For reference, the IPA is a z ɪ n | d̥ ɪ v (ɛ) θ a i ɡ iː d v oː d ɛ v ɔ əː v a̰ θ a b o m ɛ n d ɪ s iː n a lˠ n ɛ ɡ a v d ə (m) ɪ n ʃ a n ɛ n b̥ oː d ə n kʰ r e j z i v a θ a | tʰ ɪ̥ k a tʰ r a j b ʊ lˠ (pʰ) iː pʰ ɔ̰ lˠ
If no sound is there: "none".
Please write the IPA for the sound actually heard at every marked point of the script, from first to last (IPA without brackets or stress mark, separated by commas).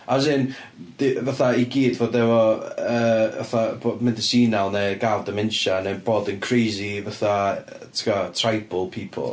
a, m, pʰ